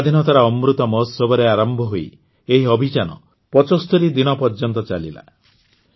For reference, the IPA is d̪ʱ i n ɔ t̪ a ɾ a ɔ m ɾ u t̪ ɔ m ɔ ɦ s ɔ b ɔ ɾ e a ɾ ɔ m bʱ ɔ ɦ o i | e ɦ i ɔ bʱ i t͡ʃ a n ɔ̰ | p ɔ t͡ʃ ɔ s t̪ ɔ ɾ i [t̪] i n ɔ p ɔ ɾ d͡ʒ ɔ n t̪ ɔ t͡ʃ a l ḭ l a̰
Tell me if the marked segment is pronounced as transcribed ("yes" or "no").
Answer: no